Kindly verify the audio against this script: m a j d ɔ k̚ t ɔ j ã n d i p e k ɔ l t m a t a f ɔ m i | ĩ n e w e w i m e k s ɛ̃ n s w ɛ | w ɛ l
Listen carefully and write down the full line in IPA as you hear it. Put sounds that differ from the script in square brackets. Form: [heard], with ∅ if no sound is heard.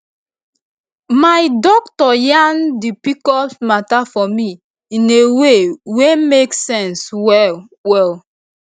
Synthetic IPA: m a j d ɔ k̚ t ɔ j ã n d i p [i] k ɔ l t m a t a f ɔ m i | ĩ n e w e w [e] m e k s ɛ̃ n s w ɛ | w ɛ l